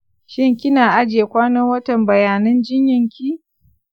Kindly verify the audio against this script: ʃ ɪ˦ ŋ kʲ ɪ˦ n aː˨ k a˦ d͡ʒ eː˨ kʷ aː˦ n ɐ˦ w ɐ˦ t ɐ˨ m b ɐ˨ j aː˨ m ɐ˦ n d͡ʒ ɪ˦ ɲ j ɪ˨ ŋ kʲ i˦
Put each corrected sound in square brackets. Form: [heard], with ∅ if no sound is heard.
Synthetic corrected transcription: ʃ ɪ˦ ŋ kʲ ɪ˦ n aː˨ [ʔ] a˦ d͡ʒ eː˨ kʷ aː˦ n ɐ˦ w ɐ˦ t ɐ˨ m b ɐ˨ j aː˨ [n] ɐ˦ n d͡ʒ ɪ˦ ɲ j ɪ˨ ŋ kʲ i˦